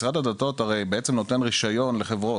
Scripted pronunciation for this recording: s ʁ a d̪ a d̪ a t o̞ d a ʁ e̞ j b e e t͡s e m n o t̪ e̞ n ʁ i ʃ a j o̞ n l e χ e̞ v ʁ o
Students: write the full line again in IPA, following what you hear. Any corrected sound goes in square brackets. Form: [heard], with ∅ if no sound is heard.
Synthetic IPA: s ʁ a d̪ a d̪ a t o̞ [t] a ʁ e̞ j b e e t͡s e m n o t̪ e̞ n ʁ i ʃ a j o̞ n l e χ e̞ v ʁ o